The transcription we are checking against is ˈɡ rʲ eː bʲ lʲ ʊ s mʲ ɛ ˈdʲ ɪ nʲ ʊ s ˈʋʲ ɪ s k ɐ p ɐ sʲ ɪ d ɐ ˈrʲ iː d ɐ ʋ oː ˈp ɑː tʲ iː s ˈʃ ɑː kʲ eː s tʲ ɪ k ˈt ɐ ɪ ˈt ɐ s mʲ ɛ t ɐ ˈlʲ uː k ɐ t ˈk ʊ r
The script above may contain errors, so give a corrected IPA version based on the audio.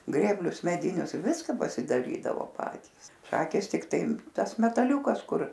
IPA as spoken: ˈɡ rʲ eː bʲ lʲ ʊ s mʲ ɛ ˈdʲ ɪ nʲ ʊ s ˈʋʲ ɪ s k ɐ p ɐ sʲ ɪ d ɐ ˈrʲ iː d ɐ ʋ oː ˈp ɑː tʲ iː s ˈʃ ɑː kʲ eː s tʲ ɪ k ˈt ɐ ɪ ˈt ɐ s mʲ ɛ t ɐ ˈlʲ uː k ɐ s ˈk ʊ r